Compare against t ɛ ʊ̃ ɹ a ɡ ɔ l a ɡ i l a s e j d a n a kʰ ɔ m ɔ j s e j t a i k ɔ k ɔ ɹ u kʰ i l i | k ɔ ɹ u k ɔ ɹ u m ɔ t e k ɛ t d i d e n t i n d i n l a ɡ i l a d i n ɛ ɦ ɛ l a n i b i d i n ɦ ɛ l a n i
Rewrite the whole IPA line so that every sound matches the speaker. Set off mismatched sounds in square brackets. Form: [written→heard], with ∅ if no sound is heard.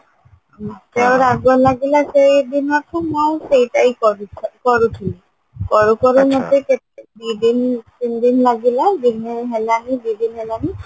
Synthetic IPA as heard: t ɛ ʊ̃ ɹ a ɡ ɔ l a ɡ i l a s e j d [a→i] n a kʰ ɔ m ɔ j s e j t a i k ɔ k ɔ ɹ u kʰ i l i | k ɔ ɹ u k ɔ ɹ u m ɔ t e k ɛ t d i d [e→i] n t i n d i n l a ɡ i l a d i n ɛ ɦ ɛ l a n i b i d i n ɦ ɛ l a n i